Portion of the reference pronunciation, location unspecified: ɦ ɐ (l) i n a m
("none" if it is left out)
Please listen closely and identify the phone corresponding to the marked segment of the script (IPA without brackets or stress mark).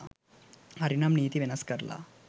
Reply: ɾ